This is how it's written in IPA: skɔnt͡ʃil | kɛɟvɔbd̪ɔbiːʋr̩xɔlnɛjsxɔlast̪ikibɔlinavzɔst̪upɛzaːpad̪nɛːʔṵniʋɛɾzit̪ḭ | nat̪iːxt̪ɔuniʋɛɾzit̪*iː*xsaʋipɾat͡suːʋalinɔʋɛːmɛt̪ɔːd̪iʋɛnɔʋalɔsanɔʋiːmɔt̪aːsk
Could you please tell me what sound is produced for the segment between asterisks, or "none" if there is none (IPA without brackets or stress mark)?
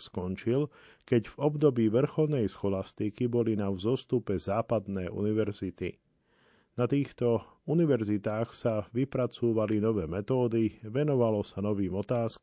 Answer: aː